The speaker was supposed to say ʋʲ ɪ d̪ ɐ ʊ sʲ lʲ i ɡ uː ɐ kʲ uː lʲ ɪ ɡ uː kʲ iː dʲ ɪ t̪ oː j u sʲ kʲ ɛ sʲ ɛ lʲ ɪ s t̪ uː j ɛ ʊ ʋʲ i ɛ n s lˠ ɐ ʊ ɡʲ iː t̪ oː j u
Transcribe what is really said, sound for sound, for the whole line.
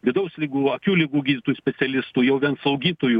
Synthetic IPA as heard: ʋʲ ɪ d̪ ɐ ʊ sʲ lʲ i ɡ uː ɐ kʲ uː lʲ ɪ ɡ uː ɡʲ iː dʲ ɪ t̪ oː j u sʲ pʲ ɛ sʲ ɛ lʲ ɪ s t̪ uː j ɛ ʊ ʋʲ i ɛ n s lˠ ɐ ʊ ɡʲ iː t̪ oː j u